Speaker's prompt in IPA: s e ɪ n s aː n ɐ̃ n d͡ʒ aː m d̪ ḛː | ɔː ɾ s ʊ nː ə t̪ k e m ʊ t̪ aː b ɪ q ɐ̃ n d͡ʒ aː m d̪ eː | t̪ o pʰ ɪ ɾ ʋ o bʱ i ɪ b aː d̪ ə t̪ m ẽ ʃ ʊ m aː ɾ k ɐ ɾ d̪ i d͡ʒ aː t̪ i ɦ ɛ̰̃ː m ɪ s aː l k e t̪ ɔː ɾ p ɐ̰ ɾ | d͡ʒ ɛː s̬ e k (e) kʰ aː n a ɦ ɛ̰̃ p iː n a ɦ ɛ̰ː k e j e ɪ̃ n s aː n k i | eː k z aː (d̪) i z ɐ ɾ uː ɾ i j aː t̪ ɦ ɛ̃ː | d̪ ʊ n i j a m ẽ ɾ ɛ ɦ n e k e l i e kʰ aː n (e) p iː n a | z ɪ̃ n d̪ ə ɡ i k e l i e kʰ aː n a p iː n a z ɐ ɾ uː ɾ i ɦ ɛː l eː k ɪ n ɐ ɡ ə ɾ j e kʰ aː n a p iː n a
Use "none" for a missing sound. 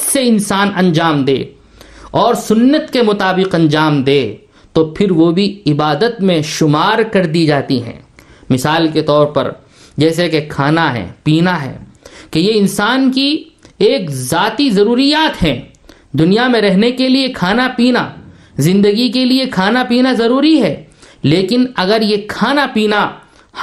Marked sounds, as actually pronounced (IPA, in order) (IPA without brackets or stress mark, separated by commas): e, t̪, a